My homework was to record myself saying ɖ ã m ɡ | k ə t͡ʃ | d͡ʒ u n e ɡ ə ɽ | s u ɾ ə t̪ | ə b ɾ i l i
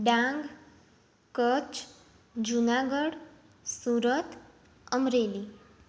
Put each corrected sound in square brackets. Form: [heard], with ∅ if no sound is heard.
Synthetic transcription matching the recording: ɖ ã [ŋ] ɡ | k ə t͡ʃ | d͡ʒ u n [a] ɡ ə ɽ | s u ɾ ə t̪ | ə [m] ɾ [e] l i